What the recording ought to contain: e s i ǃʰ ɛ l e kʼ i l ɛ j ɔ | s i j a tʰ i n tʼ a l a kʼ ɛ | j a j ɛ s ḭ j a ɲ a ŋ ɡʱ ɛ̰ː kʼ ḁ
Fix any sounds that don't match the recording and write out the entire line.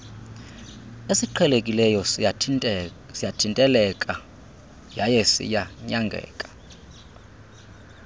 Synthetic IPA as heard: e s i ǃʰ ɛ l e kʼ i l ɛ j ɔ | s i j a tʰ i n tʼ ɛ l ɛ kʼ a | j a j ɛ s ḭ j a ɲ a ŋ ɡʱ ɛ̰ː kʼ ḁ